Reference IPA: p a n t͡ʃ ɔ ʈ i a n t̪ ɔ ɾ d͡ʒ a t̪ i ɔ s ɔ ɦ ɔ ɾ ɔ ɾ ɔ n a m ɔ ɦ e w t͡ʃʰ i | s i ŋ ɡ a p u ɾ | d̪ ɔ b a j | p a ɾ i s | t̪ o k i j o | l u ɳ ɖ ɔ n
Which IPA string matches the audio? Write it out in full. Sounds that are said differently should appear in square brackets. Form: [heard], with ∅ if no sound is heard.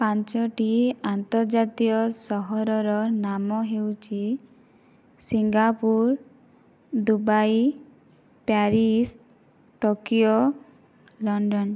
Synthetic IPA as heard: p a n t͡ʃ ɔ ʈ i a n t̪ ɔ ɾ d͡ʒ a t̪ i ɔ s ɔ ɦ ɔ ɾ ɔ ɾ ɔ n a m ɔ ɦ e w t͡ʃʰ i | s i ŋ ɡ a p u ɾ | d̪ [u] b a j | p a ɾ i s | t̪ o k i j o | l [ɔ] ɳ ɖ ɔ n